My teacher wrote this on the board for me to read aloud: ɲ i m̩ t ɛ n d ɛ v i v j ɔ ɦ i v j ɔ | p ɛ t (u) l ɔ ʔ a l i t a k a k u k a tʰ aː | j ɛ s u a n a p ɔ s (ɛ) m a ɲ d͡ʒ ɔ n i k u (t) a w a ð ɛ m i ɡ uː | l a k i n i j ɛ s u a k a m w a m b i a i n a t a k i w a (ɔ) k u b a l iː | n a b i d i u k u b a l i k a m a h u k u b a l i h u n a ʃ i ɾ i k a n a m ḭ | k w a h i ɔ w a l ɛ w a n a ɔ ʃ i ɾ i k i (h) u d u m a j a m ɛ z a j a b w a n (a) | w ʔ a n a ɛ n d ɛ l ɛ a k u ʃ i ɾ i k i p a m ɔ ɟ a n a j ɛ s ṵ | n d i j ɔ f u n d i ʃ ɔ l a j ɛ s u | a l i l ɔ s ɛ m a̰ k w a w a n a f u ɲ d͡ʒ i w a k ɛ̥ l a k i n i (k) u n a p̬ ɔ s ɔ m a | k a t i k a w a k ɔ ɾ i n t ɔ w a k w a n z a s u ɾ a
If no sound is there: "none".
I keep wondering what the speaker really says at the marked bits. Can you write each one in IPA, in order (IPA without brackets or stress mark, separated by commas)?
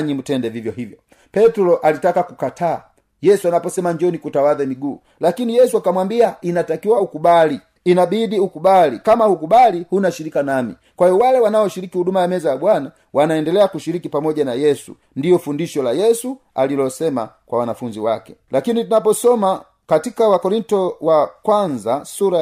u, ɛ, t, u, h, a, t